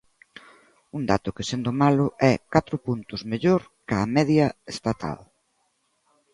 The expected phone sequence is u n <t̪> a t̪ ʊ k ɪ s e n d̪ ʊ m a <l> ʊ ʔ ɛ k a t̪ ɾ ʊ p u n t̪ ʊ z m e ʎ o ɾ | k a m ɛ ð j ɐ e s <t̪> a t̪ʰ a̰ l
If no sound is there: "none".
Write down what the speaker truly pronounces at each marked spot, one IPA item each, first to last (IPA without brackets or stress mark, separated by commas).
d̪, l, t̪